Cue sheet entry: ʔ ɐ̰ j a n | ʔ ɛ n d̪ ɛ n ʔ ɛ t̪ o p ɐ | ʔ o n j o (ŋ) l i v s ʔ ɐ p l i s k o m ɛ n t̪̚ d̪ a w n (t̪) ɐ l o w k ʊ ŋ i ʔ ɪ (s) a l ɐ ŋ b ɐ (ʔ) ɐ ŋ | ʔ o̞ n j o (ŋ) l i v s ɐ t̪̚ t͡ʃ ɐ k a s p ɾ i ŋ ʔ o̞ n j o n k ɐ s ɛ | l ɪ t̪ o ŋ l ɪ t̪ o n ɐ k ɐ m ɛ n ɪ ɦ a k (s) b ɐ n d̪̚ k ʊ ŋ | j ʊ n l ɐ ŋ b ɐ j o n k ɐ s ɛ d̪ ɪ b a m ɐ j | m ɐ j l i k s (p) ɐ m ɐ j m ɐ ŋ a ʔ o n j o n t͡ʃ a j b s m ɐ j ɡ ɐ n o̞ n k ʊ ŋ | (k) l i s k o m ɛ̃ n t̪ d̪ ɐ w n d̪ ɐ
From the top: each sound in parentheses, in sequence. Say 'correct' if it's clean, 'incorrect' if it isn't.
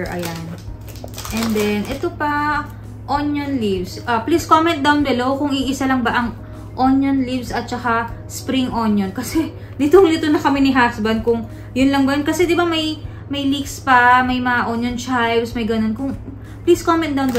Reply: incorrect: n, incorrect: d̪, correct, correct, incorrect: n, correct, correct, incorrect: p

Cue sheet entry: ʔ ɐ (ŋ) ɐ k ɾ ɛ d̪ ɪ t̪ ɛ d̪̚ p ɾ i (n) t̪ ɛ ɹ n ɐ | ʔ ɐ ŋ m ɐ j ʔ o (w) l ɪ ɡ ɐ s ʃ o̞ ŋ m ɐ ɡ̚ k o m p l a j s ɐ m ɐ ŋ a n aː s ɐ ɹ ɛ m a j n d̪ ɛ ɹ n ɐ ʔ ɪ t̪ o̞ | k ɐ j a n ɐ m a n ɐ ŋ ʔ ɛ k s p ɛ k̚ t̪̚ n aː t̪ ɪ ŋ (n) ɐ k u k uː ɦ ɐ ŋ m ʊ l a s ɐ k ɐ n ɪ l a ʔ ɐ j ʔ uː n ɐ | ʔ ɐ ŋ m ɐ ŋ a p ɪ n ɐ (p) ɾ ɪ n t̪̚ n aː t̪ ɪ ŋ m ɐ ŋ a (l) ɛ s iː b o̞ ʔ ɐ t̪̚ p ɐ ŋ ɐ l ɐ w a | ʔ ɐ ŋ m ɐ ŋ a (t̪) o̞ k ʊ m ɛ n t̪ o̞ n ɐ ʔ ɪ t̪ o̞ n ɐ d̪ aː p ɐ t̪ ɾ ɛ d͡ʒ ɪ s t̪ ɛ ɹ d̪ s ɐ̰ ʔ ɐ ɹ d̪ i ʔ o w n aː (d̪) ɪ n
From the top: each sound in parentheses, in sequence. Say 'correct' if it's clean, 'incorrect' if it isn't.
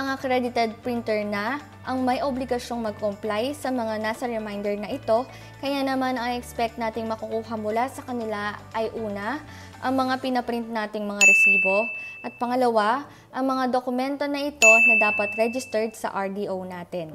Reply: correct, correct, incorrect: b, incorrect: m, correct, incorrect: ɾ, incorrect: d̪, incorrect: t̪

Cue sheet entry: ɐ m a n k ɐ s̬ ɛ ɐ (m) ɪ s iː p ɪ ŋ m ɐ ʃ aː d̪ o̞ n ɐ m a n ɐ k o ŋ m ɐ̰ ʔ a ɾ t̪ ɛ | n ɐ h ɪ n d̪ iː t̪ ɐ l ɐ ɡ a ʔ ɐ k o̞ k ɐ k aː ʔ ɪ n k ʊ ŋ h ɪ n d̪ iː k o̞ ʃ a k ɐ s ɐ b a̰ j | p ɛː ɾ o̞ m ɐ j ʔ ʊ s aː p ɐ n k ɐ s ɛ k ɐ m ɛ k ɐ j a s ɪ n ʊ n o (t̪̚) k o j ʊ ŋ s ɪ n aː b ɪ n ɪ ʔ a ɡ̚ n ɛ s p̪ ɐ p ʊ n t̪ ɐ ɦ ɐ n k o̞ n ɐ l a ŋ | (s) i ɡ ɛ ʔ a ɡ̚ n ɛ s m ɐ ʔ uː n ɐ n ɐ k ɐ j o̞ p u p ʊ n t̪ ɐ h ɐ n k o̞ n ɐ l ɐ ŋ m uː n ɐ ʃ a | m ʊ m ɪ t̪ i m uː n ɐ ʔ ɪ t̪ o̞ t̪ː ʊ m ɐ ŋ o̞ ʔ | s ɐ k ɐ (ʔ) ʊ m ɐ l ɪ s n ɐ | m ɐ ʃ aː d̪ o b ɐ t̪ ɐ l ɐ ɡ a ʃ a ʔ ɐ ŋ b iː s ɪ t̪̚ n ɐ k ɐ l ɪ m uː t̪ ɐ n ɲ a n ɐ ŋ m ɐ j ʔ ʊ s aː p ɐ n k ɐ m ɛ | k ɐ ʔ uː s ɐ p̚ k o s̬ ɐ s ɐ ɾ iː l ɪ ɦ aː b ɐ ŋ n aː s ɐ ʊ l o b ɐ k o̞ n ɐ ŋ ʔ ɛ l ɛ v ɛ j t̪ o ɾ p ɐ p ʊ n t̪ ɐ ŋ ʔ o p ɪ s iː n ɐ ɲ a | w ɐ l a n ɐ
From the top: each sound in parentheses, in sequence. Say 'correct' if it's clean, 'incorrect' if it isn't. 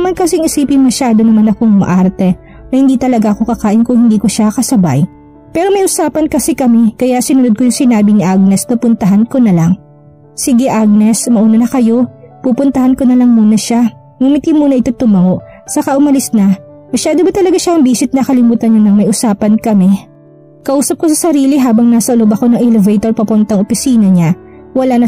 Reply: incorrect: ŋ, incorrect: d̪̚, correct, correct

